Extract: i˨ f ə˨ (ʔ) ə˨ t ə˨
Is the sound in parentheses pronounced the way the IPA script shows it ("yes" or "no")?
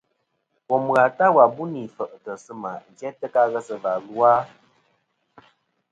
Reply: yes